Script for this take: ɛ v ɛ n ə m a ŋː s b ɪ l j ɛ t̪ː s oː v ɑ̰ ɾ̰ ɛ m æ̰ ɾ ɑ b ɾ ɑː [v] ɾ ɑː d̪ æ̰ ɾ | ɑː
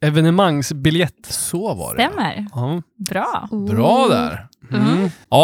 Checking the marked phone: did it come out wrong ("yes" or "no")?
yes